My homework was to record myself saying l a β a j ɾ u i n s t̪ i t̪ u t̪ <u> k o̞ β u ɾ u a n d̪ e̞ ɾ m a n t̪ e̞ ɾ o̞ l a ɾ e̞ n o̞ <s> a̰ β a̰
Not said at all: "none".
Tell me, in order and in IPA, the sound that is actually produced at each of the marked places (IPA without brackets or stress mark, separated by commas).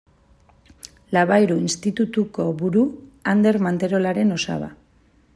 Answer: u, s